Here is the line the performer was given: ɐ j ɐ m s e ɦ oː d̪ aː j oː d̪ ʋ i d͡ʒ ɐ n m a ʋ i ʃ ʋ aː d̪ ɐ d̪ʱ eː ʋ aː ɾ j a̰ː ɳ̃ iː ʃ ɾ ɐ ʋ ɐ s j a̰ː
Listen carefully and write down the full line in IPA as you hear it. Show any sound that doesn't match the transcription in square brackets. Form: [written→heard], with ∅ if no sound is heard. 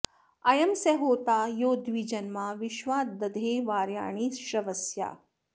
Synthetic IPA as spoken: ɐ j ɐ m s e ɦ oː [d̪→t̪] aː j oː d̪ ʋ i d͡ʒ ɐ n m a ʋ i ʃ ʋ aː d̪ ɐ d̪ʱ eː ʋ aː ɾ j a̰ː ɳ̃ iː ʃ ɾ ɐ ʋ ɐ s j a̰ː